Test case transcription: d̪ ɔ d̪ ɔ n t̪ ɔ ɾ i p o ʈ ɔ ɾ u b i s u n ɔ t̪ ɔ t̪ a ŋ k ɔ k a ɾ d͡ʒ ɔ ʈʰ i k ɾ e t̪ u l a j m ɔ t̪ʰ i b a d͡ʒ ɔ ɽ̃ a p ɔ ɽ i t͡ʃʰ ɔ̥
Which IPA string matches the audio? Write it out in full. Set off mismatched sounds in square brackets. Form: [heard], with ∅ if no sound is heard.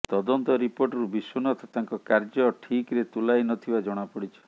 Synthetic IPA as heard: [t̪] ɔ d̪ ɔ n t̪ ɔ ɾ i p o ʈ ɔ ɾ u b i s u n ɔ t̪ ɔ t̪ a ŋ k ɔ k a ɾ d͡ʒ ɔ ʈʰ i k ɾ e t̪ u l a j [n] ɔ t̪ʰ i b a d͡ʒ ɔ ɽ̃ a p ɔ ɽ i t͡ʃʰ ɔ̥